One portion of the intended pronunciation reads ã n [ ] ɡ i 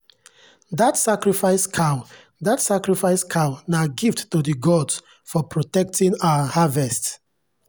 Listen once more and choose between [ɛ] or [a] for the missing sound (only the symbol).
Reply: a